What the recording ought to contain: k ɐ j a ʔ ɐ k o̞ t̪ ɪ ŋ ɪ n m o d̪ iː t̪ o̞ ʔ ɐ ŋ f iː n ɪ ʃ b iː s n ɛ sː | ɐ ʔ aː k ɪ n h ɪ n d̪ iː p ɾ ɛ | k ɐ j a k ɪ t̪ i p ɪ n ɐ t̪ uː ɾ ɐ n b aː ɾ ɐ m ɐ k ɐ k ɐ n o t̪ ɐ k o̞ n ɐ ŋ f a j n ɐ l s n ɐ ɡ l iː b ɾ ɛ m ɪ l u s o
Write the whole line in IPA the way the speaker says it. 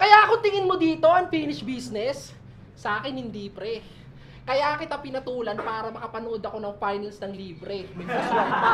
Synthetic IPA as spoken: k ɐ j a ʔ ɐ k o̞ t̪ ɪ ŋ ɪ n m o d̪ iː t̪ o̞ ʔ ɐ ŋ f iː n ɪ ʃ b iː s n ɛ sː | ɐ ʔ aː k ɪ n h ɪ n d̪ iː p ɾ ɛ | k ɐ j a k ɪ t̪ a p ɪ n ɐ t̪ uː l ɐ n p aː ɾ ɐ m ɐ k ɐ p ɐ n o d̪ ɐ k o̞ n ɐ ŋ f a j n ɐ l s n ɐ ŋ l iː b ɾ ɛ m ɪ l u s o